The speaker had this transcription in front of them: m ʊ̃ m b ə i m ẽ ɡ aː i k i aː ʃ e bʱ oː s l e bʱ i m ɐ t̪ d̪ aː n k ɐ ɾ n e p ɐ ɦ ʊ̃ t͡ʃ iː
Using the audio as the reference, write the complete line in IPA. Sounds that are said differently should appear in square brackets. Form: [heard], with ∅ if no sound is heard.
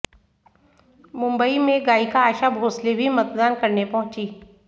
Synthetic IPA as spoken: m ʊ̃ m b ə i m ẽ ɡ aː i k [a] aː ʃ [a] bʱ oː s l e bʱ i m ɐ t̪ d̪ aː n k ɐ ɾ n e p ɐ ɦ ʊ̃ t͡ʃ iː